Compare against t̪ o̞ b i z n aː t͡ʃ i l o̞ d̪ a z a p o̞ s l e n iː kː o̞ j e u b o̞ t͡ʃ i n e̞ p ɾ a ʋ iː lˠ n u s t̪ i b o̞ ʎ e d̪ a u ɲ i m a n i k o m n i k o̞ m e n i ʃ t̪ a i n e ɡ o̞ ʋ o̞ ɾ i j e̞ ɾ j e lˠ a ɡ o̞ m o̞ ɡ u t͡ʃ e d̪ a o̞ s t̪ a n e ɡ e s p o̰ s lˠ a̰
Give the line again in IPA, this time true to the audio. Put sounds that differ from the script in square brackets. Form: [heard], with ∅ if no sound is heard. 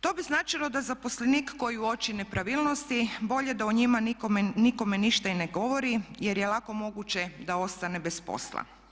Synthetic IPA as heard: t̪ o̞ b i z n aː t͡ʃ i l o̞ d̪ a z a p o̞ s l e n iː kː o̞ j [i] u [∅] o̞ t͡ʃ i n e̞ p ɾ a ʋ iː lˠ n [o] s t̪ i b o̞ ʎ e d̪ a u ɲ i m a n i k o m n i k o̞ m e n i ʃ t̪ a i n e ɡ o̞ ʋ o̞ ɾ i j e̞ ɾ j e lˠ a [k] o̞ m o̞ ɡ u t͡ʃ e d̪ a o̞ s t̪ a n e [b] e s p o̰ s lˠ a̰